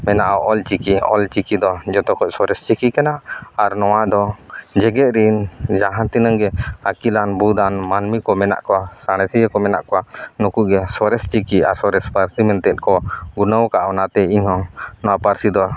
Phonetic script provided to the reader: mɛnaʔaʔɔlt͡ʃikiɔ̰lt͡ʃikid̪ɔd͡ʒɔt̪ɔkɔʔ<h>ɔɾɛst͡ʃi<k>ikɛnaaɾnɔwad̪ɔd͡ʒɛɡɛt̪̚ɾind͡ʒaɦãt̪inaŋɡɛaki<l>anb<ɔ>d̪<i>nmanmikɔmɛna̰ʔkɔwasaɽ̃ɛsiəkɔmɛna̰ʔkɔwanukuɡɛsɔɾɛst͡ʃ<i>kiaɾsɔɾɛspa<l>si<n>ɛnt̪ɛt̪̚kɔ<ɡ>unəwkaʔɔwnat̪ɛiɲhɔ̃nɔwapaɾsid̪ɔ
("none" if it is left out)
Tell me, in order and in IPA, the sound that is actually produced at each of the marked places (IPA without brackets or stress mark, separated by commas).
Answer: s, k, l, u, a, i, ɾ, m, ɡ